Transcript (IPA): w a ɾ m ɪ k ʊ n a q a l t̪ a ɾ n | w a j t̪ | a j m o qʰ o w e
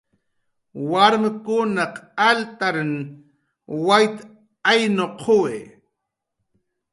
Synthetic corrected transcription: w a ɾ m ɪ k ʊ n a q a l t̪ a ɾ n | w a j t̪ | a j n o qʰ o w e